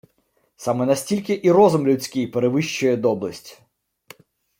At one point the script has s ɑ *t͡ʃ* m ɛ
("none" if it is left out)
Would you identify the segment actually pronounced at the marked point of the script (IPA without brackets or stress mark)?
none